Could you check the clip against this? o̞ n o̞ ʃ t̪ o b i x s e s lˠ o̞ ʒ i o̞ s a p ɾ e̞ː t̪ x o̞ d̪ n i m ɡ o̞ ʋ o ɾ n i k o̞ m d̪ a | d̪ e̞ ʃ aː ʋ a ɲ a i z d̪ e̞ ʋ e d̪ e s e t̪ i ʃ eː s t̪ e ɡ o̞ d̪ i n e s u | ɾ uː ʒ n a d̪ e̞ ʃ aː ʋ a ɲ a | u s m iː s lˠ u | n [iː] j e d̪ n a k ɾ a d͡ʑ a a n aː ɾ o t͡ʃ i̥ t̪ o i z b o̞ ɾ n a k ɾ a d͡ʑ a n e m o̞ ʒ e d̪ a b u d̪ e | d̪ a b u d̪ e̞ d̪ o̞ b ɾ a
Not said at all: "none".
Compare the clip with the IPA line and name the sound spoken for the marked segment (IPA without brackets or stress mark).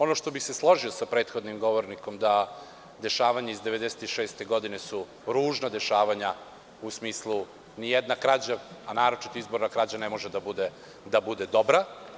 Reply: i